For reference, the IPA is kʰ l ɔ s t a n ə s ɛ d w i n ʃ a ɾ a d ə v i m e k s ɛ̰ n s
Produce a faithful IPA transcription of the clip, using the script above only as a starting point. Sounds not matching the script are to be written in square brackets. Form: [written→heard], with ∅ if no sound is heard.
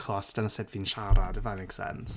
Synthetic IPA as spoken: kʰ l ɔ s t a n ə s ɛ d [w→v] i n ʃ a ɾ a d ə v [i→a] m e k s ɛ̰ n s